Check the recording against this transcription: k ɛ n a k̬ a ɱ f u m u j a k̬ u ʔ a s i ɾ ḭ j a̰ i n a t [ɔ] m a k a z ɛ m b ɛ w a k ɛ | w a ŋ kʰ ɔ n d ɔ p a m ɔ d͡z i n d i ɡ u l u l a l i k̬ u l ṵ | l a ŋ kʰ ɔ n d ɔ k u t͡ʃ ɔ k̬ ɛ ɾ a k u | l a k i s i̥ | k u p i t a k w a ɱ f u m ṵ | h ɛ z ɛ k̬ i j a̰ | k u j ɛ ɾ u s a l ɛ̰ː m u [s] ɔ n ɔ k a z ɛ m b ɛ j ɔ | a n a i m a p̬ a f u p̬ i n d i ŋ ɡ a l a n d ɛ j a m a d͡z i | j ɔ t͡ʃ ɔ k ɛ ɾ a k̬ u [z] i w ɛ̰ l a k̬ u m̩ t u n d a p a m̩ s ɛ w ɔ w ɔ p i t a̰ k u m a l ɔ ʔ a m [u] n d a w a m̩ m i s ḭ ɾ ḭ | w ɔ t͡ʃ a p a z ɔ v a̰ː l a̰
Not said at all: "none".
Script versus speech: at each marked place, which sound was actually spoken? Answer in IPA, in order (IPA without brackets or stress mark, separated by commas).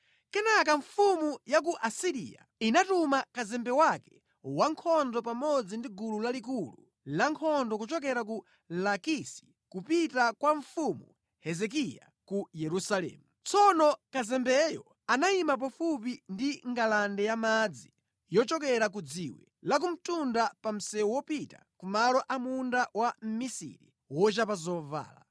u, t͡s, d͡z, u